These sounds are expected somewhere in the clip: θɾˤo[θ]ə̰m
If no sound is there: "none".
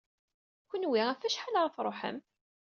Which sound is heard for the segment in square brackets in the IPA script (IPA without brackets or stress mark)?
ħ